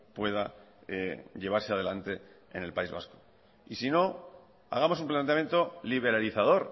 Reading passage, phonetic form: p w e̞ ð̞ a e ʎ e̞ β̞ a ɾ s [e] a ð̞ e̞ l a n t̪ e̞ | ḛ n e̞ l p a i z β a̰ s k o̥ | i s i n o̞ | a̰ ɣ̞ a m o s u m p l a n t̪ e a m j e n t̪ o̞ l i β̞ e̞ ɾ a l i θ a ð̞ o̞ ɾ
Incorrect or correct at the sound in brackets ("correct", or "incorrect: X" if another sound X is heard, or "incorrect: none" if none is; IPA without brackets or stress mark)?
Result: correct